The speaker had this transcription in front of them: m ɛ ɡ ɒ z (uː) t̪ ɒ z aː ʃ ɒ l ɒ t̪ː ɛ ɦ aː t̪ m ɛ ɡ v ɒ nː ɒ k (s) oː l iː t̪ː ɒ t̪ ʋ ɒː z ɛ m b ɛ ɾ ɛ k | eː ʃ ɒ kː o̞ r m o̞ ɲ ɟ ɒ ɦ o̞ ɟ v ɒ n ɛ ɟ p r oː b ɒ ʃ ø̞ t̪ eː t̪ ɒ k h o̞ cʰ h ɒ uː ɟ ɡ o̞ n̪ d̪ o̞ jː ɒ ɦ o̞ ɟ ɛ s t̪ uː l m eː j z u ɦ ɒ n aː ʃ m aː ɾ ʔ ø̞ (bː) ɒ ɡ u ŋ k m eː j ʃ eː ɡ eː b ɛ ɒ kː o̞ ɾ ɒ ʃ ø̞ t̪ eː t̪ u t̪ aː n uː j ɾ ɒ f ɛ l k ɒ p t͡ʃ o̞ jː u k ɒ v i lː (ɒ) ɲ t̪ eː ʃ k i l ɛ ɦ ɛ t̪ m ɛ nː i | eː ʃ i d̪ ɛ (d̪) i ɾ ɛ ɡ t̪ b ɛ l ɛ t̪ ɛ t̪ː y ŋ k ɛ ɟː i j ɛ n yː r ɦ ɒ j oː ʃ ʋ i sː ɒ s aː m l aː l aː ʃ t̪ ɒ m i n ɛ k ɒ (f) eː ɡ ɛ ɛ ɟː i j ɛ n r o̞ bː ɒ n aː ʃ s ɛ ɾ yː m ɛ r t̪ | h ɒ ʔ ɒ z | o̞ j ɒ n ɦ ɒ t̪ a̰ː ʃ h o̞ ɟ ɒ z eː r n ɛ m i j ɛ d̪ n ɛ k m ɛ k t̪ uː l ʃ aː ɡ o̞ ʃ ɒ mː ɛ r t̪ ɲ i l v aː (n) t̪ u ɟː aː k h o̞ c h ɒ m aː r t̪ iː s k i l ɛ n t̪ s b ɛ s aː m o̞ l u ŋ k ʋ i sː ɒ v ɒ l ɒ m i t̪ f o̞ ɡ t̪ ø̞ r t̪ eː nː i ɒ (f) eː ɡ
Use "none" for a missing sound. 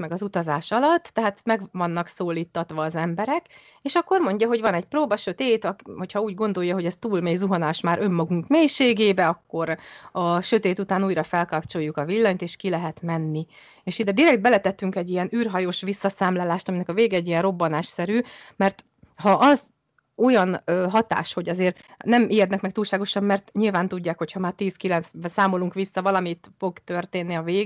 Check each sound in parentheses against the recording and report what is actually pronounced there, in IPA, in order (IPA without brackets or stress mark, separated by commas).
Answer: u, s, mː, ɒ, d̪, v, n, v